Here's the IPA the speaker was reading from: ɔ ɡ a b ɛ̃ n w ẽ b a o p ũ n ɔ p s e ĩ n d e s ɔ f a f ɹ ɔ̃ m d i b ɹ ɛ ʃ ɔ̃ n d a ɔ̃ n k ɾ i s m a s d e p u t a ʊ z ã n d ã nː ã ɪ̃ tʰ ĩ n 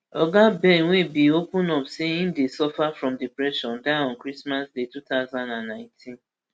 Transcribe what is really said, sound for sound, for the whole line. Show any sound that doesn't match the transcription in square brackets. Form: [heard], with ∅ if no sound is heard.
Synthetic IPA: ɔ ɡ a b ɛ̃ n w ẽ b [i] o p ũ n ɔ p s e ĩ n d e s ɔ f a f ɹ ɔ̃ m d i [p] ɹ ɛ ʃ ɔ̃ n d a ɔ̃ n k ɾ i s m a s d e [t] u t a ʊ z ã n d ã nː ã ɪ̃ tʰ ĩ n